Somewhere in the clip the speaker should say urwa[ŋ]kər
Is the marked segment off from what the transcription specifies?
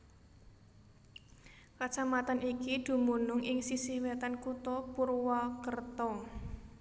yes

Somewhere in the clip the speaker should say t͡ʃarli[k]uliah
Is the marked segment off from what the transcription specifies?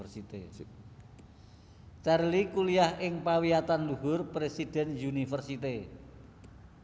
no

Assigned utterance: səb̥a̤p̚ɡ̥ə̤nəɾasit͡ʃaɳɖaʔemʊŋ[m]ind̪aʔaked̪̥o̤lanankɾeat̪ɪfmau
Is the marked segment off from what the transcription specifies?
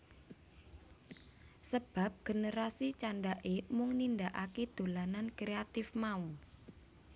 yes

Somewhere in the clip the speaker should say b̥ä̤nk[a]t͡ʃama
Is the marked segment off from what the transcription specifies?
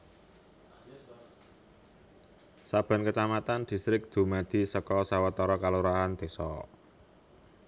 yes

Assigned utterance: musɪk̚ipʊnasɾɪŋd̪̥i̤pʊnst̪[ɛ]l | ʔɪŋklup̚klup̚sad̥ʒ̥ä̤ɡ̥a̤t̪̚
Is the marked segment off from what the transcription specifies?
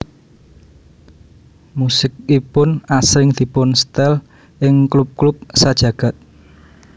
no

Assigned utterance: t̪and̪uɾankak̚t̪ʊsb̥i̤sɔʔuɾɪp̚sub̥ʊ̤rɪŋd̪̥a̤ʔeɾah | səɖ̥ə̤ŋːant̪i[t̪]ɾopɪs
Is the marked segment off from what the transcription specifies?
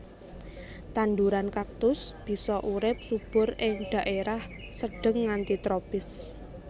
no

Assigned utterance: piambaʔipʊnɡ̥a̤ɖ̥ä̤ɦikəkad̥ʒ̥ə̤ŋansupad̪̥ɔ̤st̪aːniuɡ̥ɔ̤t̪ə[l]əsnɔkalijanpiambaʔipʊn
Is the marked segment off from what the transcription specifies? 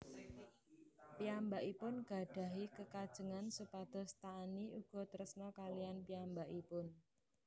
yes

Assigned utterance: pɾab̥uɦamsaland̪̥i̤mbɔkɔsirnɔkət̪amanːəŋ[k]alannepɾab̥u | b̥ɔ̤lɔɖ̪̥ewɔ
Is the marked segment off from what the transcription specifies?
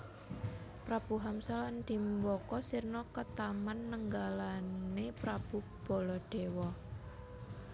yes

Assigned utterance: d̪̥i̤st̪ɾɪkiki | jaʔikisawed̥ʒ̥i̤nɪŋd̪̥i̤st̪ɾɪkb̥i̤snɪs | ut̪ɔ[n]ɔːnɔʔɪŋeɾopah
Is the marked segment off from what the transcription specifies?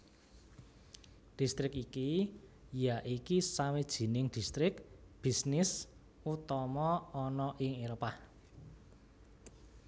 yes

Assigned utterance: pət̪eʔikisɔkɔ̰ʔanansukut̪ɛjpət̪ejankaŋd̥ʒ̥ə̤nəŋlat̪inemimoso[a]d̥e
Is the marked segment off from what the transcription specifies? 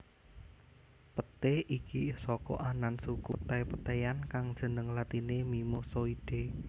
yes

